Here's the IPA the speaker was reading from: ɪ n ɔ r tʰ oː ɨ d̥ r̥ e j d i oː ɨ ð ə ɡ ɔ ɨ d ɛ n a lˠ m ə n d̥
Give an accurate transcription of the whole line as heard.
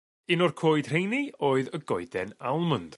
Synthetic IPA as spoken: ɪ n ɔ r kʰ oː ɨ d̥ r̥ e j n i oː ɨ ð ə ɡ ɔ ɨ d ɛ n a lˠ m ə n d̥